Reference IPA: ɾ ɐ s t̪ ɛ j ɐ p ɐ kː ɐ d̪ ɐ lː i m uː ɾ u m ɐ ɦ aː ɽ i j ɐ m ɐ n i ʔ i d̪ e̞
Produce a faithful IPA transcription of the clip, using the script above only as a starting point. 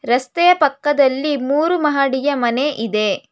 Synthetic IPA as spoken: ɾ ɐ s t̪ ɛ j ɐ p ɐ kː ɐ d̪ ɐ lː i m uː ɾ u m ɐ ɦ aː ɽ i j ɐ m ɐ n e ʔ i d̪ e̞

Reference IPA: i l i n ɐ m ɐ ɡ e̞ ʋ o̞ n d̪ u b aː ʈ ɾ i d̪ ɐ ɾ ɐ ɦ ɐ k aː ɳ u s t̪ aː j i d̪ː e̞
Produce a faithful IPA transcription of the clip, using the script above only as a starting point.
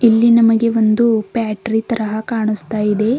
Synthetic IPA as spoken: i lː i n ɐ m ɐ ɡ e̞ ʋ o̞ n d̪ u p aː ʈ ɾ i t̪ ɐ ɾ ɐ ɦ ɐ k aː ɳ u s t̪ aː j i d̪ e̞

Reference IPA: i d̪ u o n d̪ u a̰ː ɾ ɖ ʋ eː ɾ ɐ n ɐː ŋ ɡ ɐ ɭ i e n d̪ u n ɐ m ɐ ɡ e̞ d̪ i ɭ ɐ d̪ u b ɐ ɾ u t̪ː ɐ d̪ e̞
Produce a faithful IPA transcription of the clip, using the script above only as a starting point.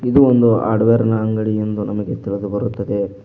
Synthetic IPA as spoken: i d̪ u o n d̪ u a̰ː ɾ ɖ ʋ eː ɾ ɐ n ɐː ŋ ɡ ɐ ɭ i e n d̪ u n ɐ m ɐ ɡ e̞ t̪ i ɭ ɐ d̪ u b ɐ ɾ u t̪ː ɐ d̪ e̞

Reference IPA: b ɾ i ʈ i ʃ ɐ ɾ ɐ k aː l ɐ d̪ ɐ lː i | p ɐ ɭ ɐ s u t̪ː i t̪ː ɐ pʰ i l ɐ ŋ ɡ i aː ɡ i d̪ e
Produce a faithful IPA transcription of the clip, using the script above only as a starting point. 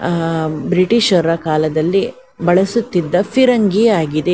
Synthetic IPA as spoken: b ɾ i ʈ i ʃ ɐ ɾ ɐ k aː l ɐ d̪ ɐ lː i | b ɐ ɭ ɐ s u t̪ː i d̪ː ɐ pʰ i ɾ ɐ ŋ ɡ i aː ɡ i d̪ e

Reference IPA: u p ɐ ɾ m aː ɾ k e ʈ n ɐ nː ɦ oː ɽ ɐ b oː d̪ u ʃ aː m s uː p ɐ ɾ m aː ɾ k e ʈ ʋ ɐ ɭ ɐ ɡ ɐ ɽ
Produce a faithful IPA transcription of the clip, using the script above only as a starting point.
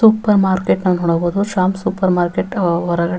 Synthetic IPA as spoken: u p ɐ ɾ m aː ɾ k e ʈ n ɐ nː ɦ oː ɽ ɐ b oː d̪ u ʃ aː m s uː p ɐ ɾ m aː ɾ k e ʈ ʋ ɐ ɾ ɐ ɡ ɐ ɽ

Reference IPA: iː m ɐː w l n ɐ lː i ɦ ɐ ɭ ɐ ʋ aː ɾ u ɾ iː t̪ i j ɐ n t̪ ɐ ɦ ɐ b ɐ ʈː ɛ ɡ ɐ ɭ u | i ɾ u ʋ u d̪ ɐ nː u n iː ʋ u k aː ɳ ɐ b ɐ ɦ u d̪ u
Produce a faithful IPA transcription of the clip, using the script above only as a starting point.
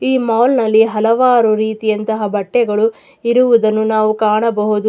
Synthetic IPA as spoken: iː m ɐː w l n ɐ lː i ɦ ɐ l ɐ ʋ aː ɾ u ɾ iː t̪ i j ɐ n t̪ ɐ ɦ ɐ b ɐ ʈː ɛ ɡ ɐ ɭ u | i ɾ u ʋ u d̪ ɐ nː u n aː ʋ u k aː ɳ ɐ b ɐ ɦ u d̪ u

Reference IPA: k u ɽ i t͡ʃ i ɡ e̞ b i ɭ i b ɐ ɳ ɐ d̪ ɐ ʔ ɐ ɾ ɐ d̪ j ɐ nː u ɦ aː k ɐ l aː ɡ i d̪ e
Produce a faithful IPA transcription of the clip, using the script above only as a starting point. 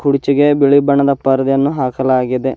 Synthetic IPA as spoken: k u ɽ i t͡ʃ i ɡ e̞ b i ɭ i b ɐ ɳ ɐ d̪ ɐ p ɐ ɾ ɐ d̪ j ɐ nː u ɦ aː k ɐ l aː ɡ i d̪ e

